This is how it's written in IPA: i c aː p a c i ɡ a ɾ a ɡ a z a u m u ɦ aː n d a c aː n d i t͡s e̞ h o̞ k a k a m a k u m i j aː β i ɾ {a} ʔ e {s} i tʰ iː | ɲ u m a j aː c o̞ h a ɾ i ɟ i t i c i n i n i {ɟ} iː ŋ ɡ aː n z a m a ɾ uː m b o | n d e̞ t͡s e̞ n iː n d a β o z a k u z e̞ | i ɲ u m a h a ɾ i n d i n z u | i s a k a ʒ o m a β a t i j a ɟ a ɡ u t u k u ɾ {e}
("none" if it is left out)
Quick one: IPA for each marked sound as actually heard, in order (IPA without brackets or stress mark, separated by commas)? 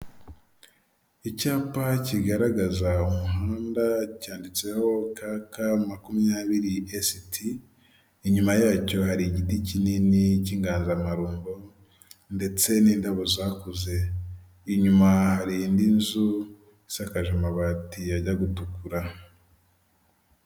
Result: i, s, c, a